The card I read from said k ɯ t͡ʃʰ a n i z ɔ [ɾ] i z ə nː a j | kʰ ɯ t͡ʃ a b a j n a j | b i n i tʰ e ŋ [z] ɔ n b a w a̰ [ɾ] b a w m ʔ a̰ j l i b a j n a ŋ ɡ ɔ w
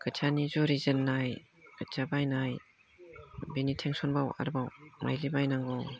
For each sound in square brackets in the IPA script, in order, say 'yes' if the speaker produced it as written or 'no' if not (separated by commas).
yes, no, yes